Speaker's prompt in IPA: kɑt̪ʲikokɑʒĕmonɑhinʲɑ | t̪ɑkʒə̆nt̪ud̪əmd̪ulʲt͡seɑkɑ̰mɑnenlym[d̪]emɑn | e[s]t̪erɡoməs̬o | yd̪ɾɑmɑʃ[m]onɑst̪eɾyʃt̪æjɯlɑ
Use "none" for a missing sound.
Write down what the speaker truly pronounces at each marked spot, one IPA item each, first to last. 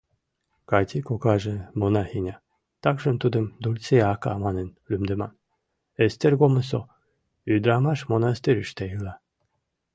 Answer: d̪, s, m

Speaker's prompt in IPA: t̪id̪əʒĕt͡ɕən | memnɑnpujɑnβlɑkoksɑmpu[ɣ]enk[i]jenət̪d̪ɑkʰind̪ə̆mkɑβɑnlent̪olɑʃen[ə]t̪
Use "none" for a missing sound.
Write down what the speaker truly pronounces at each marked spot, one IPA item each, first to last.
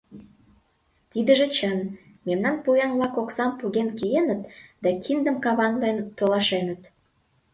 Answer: ɣ, i, ə

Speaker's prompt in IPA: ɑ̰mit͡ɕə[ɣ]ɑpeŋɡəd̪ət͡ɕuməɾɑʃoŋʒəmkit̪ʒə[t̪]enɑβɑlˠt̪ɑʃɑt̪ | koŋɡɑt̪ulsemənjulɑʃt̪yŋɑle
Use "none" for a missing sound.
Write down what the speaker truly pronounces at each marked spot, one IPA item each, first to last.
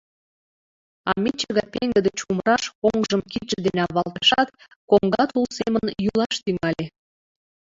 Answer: ɣ, d̪

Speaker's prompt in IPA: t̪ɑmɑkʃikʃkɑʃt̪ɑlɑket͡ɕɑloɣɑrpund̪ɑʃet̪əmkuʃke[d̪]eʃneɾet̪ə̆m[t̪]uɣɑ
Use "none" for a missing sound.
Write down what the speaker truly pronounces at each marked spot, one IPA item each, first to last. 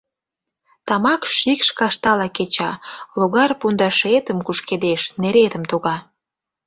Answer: d̪, t̪

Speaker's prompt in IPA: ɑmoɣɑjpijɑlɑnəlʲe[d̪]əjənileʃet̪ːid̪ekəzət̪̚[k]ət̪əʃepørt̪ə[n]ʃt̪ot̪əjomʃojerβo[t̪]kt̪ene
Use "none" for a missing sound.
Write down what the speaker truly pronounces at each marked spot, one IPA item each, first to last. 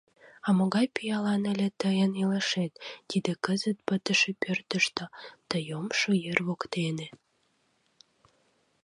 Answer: t̪, p, none, none

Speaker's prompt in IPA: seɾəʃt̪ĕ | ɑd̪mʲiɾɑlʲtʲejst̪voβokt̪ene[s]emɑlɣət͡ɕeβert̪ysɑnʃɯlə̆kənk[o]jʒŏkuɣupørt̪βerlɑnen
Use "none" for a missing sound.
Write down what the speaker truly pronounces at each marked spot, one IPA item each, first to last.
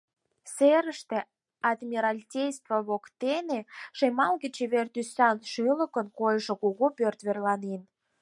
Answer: ʃ, o

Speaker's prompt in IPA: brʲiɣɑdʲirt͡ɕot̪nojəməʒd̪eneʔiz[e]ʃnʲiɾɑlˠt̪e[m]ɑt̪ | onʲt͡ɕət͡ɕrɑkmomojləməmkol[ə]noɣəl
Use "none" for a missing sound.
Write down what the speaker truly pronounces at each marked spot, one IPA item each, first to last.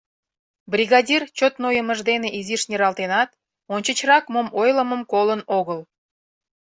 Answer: i, n, ə

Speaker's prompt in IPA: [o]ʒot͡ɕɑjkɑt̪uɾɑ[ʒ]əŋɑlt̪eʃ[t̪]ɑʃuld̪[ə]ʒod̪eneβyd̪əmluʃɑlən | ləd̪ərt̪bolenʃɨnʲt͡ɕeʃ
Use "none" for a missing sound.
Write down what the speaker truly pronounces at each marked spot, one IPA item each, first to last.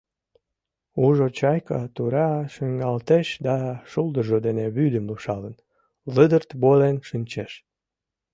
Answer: u, ʃ, d̪, ə

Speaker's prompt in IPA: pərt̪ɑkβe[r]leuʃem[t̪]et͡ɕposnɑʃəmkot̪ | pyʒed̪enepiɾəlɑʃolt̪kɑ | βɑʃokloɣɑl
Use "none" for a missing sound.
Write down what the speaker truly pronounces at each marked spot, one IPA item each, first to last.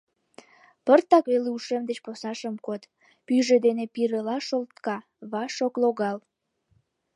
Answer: none, d̪

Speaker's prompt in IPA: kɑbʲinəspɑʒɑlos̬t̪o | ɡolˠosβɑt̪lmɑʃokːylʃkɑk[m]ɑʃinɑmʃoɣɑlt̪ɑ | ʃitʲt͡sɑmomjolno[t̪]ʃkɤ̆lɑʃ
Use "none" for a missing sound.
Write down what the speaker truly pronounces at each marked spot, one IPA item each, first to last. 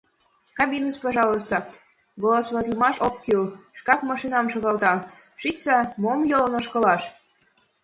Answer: m, none

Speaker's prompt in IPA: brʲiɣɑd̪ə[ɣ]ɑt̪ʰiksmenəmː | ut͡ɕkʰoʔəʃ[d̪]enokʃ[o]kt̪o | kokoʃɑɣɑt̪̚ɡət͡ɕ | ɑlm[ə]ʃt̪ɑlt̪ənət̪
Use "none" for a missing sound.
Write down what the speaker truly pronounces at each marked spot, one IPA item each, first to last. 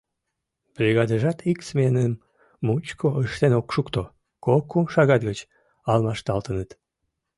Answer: ʒ, t̪, u, ɑ

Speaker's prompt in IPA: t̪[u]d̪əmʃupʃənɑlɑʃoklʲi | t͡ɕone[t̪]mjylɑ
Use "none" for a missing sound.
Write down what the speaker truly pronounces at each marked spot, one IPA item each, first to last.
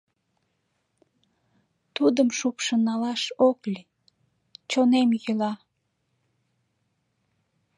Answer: u, none

